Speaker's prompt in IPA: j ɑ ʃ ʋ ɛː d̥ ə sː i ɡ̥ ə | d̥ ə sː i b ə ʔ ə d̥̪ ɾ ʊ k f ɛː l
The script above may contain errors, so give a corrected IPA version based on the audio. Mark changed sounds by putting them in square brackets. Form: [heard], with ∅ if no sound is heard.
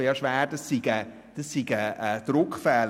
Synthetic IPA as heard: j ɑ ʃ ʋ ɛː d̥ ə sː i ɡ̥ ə | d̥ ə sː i [ɡ] ə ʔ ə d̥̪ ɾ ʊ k f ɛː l